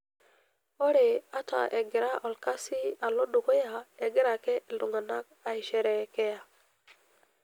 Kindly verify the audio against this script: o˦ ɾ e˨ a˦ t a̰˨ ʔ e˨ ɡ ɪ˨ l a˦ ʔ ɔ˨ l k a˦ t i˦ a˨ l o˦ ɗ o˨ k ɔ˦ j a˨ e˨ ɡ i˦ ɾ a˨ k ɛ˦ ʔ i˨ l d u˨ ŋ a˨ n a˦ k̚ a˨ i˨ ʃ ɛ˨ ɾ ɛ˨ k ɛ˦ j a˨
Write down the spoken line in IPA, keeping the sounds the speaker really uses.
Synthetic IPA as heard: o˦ ɾ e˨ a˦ t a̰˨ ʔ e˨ ɡ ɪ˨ ɾ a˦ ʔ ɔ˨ l k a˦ s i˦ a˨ l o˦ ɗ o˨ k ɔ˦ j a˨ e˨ ɡ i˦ ɾ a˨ k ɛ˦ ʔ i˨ l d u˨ ŋ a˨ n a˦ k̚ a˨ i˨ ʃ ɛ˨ ɾ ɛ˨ k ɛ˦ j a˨